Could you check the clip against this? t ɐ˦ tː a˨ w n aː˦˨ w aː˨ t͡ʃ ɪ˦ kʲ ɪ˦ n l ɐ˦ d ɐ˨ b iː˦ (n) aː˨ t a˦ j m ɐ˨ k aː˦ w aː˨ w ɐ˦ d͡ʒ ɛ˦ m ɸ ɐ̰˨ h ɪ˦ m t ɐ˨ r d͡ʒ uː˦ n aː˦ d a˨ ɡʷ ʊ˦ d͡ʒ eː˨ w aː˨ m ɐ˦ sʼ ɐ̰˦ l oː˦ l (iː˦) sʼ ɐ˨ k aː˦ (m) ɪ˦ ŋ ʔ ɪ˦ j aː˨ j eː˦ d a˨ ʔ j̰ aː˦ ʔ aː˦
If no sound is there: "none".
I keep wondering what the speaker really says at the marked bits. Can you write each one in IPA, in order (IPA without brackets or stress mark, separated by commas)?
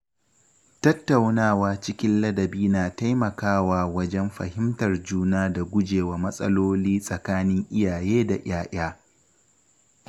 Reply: n, iː˦, n